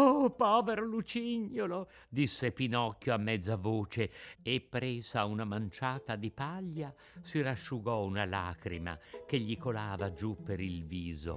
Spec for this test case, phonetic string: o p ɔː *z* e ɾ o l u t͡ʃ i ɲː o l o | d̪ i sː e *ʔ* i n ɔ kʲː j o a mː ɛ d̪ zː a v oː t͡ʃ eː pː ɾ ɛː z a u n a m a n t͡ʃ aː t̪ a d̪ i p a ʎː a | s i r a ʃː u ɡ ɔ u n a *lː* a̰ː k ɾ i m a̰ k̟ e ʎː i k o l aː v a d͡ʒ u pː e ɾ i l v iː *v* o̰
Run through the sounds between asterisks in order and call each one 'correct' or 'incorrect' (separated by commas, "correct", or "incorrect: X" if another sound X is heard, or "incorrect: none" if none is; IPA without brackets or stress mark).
incorrect: v, incorrect: p, incorrect: l, incorrect: z